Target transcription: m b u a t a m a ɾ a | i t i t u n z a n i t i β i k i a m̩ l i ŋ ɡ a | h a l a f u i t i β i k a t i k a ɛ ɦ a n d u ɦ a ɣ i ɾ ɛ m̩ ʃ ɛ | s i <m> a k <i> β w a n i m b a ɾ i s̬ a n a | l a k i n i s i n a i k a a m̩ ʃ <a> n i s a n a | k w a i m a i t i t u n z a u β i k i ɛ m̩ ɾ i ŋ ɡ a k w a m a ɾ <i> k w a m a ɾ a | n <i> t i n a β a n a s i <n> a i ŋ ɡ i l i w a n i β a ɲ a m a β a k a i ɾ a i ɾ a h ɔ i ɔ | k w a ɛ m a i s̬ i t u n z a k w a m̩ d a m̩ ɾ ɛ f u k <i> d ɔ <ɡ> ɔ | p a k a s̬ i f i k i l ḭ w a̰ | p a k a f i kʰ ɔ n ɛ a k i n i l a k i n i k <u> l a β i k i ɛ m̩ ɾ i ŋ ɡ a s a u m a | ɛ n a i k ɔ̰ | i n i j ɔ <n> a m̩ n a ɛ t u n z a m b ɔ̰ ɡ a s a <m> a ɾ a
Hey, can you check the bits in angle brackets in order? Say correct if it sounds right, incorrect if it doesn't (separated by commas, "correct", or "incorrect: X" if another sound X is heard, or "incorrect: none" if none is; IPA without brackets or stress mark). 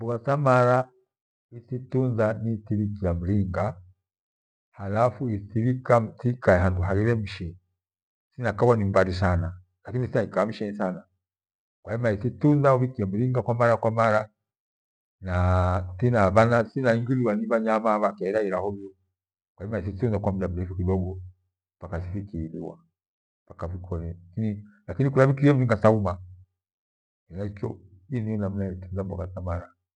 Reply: incorrect: n, incorrect: a, incorrect: ɛ, incorrect: a, incorrect: a, correct, correct, correct, correct, correct, correct